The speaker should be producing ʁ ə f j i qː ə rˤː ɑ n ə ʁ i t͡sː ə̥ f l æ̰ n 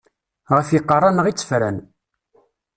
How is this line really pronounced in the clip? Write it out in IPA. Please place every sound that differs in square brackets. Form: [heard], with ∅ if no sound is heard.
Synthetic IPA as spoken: ʁ ə f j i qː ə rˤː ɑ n ə ʁ i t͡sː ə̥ f [ɾ] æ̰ n